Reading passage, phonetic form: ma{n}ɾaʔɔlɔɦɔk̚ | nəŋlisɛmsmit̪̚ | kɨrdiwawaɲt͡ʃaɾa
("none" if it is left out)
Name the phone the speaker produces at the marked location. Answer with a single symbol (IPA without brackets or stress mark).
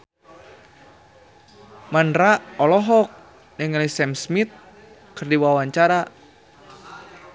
n